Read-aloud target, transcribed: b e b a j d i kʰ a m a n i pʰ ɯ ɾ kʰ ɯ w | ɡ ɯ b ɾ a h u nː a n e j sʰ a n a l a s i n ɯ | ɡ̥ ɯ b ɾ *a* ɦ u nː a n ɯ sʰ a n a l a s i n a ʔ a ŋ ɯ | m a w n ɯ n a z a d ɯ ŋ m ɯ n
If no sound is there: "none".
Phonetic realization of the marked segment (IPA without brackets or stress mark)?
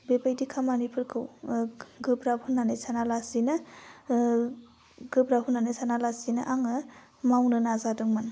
a